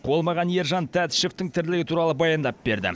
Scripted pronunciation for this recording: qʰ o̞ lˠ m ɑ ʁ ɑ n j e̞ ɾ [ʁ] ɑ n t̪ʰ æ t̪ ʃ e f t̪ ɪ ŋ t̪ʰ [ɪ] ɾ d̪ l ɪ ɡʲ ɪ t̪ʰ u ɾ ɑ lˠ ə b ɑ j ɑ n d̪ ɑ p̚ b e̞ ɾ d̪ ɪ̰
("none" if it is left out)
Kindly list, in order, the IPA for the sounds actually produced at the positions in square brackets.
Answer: ʒ, ɪ

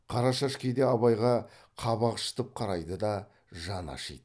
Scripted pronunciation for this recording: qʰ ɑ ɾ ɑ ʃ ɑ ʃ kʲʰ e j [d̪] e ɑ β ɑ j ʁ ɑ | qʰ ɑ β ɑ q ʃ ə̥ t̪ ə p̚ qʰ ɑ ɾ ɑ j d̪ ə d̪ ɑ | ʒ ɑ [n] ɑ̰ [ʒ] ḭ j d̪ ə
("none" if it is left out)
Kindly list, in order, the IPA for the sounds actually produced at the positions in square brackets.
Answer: d̪, n, ʃ

